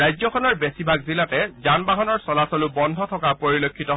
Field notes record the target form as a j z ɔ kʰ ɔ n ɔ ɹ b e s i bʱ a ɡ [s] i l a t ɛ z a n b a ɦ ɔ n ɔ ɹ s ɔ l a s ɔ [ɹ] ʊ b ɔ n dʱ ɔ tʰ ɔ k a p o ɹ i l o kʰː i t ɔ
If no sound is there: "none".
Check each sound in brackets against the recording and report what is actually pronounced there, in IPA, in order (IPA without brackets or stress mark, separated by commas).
z, l